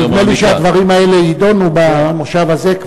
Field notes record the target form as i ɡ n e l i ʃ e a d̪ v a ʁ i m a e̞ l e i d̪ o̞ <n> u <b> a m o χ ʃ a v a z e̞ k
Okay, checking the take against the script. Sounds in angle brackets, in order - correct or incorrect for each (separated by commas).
correct, correct